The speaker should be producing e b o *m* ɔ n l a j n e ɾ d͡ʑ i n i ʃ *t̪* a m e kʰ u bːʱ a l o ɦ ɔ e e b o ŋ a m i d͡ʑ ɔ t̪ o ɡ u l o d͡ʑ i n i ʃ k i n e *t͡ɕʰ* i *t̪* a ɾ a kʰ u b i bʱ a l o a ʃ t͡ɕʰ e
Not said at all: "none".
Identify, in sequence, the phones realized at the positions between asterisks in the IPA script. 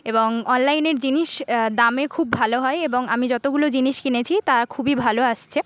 ŋ, d̪, t͡ɕʰ, t̪

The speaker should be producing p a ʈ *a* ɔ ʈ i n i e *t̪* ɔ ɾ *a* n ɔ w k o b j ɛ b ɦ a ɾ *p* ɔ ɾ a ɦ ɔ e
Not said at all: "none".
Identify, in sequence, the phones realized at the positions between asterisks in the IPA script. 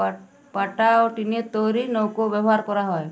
a, t̪, i, k

